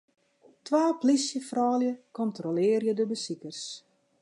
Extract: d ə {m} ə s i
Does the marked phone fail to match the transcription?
yes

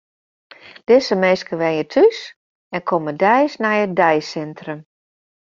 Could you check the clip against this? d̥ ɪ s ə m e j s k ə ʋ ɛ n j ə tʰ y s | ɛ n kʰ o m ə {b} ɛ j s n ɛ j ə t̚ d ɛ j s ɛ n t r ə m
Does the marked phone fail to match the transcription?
yes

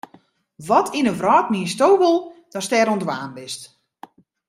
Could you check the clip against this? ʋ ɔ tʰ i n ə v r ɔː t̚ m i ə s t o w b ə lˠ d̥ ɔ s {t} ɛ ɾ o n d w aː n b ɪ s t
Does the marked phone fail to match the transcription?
no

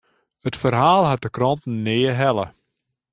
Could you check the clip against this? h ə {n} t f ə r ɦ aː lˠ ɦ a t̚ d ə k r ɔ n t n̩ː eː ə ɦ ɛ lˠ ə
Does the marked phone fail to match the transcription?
yes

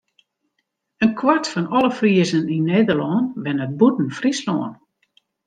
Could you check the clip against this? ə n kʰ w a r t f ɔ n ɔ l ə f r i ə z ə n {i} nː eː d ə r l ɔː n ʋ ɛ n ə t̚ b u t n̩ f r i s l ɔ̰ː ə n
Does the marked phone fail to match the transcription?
no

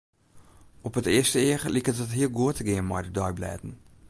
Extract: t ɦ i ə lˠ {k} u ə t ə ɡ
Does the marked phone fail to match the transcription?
yes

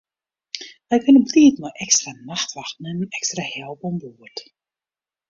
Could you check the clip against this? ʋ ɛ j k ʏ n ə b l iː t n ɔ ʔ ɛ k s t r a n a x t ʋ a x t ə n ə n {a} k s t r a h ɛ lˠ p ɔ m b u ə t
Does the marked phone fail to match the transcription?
yes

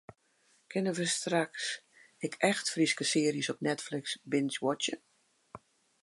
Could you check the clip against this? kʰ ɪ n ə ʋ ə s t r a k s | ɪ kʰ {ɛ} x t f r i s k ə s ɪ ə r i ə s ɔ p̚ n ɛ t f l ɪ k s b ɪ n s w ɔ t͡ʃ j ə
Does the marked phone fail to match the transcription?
no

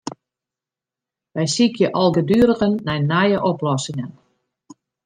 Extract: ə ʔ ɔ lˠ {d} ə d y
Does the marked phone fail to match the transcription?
yes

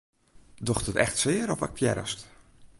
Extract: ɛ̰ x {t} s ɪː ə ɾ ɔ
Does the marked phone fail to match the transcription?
no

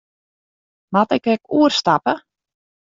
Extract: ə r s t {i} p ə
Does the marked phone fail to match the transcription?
yes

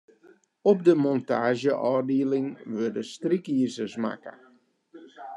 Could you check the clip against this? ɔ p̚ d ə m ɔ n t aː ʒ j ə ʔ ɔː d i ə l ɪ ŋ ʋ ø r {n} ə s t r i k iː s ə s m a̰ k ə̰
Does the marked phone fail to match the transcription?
yes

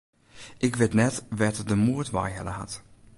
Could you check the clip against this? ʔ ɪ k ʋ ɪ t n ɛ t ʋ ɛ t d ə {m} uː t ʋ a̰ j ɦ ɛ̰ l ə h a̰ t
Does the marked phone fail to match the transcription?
no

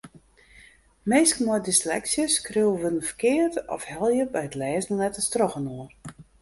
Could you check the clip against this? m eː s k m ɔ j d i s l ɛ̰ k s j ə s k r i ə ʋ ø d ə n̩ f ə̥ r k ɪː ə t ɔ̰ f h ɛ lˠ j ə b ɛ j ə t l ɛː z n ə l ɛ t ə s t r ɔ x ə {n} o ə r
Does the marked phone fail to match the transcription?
no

